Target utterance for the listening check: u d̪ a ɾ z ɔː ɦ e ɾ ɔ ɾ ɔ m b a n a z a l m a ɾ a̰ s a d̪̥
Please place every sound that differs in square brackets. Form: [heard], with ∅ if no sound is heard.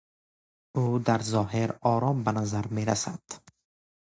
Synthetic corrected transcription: u d̪ a ɾ z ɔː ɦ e ɾ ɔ ɾ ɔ m b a n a z a [ɾ] m [e] ɾ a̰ s a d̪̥